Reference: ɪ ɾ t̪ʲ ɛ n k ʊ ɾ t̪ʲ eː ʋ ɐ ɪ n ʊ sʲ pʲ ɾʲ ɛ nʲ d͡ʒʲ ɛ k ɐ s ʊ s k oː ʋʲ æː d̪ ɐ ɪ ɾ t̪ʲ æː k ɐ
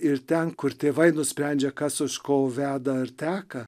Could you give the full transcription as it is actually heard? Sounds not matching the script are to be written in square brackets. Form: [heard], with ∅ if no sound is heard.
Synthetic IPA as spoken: ɪ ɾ t̪ʲ ɛ n k ʊ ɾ t̪ʲ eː ʋ ɐ ɪ n ʊ sʲ pʲ ɾʲ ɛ nʲ d͡ʒʲ ɛ k ɐ s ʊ [ʃ] k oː ʋʲ æː d̪ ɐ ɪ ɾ t̪ʲ æː k ɐ